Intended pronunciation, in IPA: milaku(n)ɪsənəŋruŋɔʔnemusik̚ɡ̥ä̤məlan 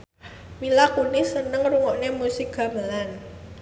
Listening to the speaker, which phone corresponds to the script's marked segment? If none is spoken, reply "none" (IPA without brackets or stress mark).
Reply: n